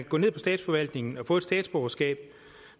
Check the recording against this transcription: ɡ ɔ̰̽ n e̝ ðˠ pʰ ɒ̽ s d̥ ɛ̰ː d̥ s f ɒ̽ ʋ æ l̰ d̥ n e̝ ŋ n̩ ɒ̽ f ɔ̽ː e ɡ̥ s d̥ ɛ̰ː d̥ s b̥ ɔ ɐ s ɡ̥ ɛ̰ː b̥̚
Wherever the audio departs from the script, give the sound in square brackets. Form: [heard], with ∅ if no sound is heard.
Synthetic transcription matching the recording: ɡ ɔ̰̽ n e̝ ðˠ pʰ ɒ̽ s d̥ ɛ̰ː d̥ s f ɒ̽ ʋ æ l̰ d̥ n e̝ ŋ n̩ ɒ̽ f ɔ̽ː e [d̥] s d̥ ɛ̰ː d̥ s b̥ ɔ ɐ s ɡ̥ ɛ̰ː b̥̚

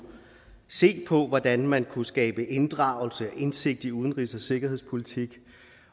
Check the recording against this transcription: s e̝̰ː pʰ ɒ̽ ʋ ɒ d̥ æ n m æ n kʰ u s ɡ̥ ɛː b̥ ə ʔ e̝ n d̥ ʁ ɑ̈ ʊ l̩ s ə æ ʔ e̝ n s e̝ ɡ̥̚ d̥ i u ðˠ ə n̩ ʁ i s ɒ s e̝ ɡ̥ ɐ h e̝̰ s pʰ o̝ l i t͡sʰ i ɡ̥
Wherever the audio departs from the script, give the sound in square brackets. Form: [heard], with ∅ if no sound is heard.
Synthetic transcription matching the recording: s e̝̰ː pʰ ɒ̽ ʋ ɒ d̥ æ n m æ n kʰ u s ɡ̥ ɛː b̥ ə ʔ e̝ n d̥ ʁ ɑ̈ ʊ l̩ s ə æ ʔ e̝ n s e̝ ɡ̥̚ d̥ i u ðˠ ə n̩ ʁ i s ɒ s e̝ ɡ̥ ɐ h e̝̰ s pʰ o̝ l i t͡sʰ i ɡ̥

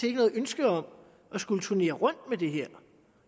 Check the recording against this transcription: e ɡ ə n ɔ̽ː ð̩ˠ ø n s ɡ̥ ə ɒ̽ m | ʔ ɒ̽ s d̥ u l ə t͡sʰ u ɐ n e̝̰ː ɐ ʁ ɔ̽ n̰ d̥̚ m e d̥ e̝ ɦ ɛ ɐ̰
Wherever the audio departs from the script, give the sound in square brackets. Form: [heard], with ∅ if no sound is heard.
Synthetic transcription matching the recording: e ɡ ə n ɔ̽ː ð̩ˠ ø n s ɡ̥ ə ɒ̽ m | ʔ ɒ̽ s [ɡ̥] u l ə t͡sʰ u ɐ n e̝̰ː ɐ ʁ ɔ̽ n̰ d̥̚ m e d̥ e̝ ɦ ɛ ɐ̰

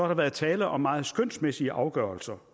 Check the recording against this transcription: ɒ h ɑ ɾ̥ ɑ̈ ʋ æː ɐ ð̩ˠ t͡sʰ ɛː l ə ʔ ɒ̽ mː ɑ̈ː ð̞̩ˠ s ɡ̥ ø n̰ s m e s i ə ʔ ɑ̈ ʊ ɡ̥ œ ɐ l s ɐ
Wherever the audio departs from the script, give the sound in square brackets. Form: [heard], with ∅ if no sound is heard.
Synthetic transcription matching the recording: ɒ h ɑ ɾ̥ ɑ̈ ʋ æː ɐ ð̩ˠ t͡sʰ ɛː l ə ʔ ɒ̽ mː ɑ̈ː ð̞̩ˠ s ɡ̥ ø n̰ s m e s i ə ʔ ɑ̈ ʊ ɡ̥ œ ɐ l s ɐ

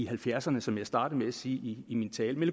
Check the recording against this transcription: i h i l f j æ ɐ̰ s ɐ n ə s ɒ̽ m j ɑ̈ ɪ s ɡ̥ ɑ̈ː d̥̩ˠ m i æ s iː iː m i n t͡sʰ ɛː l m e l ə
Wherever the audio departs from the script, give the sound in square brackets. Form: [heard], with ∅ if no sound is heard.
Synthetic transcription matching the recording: i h [æ] l f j æ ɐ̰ s ɐ n ə s ɒ̽ m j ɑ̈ ɪ s [d̥] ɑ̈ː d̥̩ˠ m [e] æ s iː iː m i n t͡sʰ ɛː l m e l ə

